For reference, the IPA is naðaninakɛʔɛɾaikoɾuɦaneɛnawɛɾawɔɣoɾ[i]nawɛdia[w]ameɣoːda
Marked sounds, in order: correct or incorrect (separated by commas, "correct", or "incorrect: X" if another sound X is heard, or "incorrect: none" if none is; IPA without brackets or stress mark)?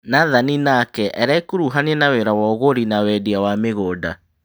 correct, correct